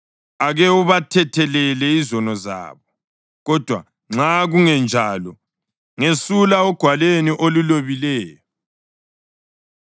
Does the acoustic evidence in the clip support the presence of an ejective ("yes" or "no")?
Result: no